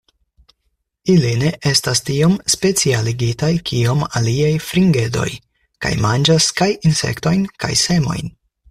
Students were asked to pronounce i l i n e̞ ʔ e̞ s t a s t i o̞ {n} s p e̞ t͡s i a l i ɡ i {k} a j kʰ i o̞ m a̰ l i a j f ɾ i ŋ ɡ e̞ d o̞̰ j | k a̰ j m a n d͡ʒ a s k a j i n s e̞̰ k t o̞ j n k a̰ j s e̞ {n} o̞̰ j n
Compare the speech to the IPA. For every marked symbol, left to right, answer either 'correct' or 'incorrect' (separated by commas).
incorrect, incorrect, incorrect